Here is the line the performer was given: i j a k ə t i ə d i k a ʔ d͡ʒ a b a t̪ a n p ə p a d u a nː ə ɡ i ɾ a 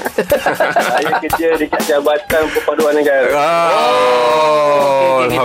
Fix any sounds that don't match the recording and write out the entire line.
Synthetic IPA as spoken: a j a k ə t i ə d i k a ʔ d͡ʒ a b a t̪ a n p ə p a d u a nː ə ɡ a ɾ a